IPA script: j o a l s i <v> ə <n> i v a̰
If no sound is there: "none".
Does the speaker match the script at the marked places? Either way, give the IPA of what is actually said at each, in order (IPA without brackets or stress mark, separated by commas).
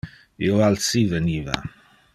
v, n